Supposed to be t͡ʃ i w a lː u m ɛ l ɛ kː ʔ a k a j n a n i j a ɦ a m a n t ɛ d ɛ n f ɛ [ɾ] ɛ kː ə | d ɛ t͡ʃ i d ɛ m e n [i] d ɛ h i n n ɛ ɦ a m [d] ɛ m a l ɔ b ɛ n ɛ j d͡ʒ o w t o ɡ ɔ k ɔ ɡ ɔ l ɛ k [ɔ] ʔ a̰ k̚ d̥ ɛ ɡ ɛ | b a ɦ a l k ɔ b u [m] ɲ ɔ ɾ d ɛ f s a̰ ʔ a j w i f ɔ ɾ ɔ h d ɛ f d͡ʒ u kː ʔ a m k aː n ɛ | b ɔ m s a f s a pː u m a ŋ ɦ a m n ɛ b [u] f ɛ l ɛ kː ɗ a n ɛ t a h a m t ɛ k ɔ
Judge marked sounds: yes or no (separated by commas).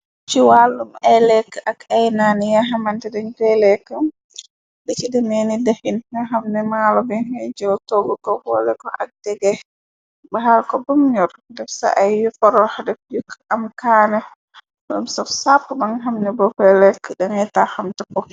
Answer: no, yes, no, yes, yes, no